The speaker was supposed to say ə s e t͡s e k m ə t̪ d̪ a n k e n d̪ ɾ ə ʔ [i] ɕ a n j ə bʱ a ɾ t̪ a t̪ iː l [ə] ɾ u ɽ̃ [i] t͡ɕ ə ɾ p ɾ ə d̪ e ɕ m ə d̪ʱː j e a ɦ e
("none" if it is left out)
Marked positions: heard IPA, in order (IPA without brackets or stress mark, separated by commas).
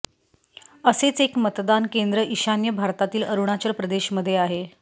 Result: i, ə, a